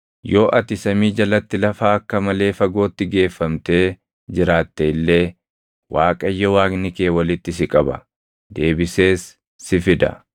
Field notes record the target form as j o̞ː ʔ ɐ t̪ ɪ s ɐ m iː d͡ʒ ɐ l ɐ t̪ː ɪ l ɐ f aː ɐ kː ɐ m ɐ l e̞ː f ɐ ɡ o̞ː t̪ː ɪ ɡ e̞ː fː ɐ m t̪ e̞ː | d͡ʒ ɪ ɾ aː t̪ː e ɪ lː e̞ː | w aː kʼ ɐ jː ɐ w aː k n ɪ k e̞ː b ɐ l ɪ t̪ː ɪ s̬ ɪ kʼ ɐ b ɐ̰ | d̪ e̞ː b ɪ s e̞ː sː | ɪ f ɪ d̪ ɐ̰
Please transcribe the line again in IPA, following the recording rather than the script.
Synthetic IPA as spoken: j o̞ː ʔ ɐ t̪ ɪ s ɐ m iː d͡ʒ ɐ l ɐ t̪ː ɪ l ɐ f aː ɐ kː ɐ m ɐ l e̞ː f ɐ ɡ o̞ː t̪ː ɪ ɡ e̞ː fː ɐ m t̪ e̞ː | d͡ʒ ɪ ɾ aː t̪ː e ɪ lː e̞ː | w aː kʼ ɐ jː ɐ w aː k n ɪ k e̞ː w ɐ l ɪ t̪ː ɪ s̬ ɪ kʼ ɐ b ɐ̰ | d̪ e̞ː b ɪ s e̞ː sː | ɪ f ɪ d̪ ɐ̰